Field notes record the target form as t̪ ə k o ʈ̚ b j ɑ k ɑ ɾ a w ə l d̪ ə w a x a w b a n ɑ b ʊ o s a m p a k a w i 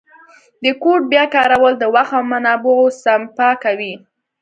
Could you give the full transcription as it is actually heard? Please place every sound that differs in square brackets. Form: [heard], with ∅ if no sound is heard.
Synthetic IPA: [d̪] ə k o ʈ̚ b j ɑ k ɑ ɾ a w ə l d̪ ə w a x a w [m] a n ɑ b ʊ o s a m p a k a w i

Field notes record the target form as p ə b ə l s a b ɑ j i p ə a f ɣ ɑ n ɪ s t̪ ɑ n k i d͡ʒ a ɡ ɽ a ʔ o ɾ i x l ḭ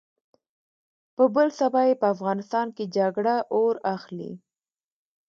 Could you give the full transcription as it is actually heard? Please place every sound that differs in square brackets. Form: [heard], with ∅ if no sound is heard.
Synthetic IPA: p ə b ə l s a b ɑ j [e] p ə a f ɣ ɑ n ɪ s t̪ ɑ n k [e] d͡ʒ a ɡ ɽ a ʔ o ɾ [a] x l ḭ

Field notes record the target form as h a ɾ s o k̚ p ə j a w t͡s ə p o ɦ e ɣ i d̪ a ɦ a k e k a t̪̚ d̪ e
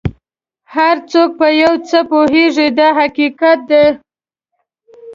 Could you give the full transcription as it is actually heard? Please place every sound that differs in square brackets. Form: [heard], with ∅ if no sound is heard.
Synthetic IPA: h a ɾ [t͡s] o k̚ p ə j a w t͡s ə p o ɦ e [ʐ] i d̪ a ɦ a k [i] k a t̪̚ d̪ e

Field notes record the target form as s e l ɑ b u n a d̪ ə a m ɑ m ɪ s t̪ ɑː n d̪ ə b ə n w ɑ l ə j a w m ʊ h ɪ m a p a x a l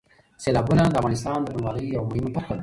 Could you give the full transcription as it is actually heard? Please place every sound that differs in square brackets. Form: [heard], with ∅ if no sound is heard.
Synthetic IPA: s e l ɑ b u n a d̪ ə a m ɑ [n] ɪ s t̪ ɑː n d̪ ə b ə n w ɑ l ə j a w m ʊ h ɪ m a p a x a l

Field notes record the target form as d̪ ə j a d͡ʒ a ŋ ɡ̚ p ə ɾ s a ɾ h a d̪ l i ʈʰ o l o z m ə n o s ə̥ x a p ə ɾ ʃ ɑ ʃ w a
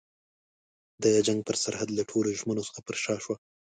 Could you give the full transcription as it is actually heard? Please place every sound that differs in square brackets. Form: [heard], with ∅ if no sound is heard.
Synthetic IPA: d̪ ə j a d͡ʒ a ŋ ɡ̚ p ə ɾ s a ɾ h a d̪ l [a] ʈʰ o l o [ʒ] m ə n o s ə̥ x a p ə ɾ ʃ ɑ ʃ w a

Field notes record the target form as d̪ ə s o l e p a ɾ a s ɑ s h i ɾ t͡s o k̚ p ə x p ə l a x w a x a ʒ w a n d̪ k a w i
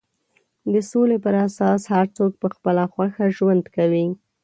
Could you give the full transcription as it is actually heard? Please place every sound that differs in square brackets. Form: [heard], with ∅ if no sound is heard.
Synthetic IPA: d̪ ə s o l e p [ə] ɾ a s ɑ s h [a] ɾ t͡s o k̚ p ə x p ə l a x w a x a ʒ w a n d̪ k a w i

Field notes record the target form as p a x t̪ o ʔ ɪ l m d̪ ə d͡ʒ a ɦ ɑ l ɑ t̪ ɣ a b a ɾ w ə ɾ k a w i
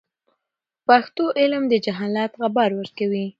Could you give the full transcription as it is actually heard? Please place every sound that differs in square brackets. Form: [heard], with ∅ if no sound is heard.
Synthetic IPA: p a x t̪ o ʔ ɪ l m d̪ ə d͡ʒ a ɦ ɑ l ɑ t̪ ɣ a b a ɾ w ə ɾ k a w i

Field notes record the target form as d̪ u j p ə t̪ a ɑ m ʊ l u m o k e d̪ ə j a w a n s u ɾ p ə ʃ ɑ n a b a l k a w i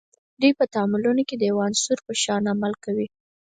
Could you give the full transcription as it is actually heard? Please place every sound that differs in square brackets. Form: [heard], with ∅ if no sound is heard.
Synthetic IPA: d̪ u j p ə t̪ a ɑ m ʊ l u [n] o k e d̪ ə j a w a n s u ɾ p ə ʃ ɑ n a [m] a l k a w i

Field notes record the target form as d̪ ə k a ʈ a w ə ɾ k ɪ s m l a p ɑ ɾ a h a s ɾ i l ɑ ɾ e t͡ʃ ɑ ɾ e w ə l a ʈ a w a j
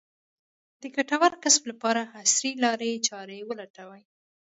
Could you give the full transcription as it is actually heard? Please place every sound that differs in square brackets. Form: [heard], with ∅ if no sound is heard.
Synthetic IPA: d̪ ə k a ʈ a w [a] ɾ k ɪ s m l a p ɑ ɾ a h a s ɾ i l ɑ ɾ e t͡ʃ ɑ ɾ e w ə l a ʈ a w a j

